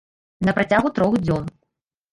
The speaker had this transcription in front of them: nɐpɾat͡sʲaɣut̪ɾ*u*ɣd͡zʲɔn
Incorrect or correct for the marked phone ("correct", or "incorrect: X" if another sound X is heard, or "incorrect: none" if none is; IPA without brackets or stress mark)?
incorrect: ɔ